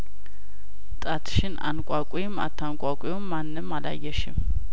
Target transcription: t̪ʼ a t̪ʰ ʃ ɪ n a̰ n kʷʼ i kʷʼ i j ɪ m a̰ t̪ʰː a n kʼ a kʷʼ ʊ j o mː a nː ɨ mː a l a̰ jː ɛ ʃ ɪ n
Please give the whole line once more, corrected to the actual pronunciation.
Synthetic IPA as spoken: t̪ʼ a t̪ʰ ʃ ɪ n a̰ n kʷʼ a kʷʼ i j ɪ m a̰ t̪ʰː a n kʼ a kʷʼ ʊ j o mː a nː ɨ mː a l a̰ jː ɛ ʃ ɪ m